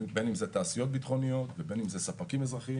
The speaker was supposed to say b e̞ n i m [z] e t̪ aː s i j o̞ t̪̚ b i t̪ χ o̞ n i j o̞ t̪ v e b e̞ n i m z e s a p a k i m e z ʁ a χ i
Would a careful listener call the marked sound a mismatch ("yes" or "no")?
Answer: no